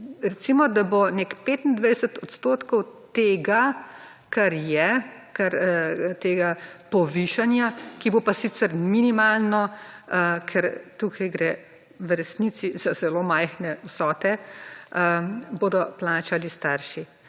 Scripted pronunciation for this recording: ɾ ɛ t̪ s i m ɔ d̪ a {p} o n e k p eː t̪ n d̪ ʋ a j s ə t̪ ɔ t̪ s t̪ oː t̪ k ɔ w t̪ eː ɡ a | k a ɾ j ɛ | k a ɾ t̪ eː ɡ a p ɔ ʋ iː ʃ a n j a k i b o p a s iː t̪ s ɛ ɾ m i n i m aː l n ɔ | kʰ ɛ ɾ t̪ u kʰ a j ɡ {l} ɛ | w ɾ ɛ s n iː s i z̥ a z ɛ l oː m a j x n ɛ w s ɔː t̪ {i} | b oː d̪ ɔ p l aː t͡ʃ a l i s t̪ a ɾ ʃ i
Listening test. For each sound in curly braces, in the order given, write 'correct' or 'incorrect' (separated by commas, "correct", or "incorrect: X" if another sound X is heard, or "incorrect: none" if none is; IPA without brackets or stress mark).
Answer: incorrect: b, incorrect: ɾ, incorrect: ɛ